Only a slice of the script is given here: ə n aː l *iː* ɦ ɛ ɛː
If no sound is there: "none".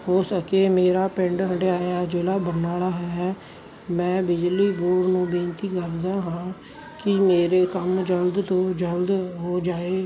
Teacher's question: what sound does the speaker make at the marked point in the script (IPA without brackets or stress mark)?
aː